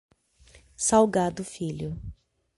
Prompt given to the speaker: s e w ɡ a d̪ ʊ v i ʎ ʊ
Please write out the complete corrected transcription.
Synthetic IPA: s a w ɡ a d̪ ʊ f i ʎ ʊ